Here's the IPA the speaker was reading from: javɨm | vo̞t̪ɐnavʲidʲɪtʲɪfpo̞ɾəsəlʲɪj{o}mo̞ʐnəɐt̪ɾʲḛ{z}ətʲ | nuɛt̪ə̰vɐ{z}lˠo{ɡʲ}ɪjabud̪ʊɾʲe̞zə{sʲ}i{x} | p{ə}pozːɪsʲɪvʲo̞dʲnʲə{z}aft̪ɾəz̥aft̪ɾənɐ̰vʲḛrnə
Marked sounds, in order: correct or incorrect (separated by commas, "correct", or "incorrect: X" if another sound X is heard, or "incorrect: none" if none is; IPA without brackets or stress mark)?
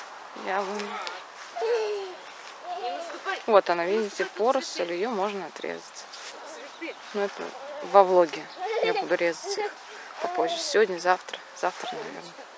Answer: correct, correct, incorrect: v, correct, incorrect: tʲ, correct, incorrect: ɐ, correct